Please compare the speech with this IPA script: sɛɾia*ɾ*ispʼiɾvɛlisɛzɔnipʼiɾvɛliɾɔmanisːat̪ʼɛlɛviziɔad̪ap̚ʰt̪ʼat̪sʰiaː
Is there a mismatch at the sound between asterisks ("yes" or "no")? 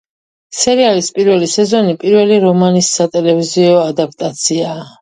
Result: yes